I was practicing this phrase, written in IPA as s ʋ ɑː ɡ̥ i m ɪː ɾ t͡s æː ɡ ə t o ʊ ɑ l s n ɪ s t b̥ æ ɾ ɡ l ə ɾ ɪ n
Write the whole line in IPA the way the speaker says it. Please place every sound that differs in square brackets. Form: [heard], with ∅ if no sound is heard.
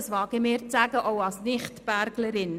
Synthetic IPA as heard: s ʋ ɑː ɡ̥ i m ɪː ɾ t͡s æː ɡ ə [ʔ] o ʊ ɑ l s n ɪ [χ] t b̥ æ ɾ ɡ l ə ɾ ɪ n